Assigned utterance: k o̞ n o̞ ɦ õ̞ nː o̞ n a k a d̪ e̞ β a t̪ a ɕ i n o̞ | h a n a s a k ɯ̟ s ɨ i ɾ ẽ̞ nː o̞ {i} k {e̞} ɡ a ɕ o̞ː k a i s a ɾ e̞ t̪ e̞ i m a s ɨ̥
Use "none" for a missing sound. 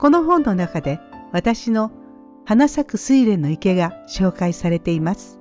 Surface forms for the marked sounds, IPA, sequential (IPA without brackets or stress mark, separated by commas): i, e̞